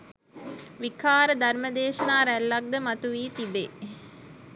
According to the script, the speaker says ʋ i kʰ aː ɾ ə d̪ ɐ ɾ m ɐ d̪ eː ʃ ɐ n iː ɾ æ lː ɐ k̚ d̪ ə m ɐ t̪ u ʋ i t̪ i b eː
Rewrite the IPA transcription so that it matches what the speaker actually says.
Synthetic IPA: ʋ i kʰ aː ɾ ə d̪ ɐ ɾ m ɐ d̪ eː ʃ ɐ n aː ɾ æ lː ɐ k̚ d̪ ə m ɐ t̪ u ʋ iː t̪ i b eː